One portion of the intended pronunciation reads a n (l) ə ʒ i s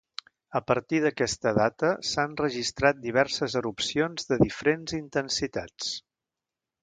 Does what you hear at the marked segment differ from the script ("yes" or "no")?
yes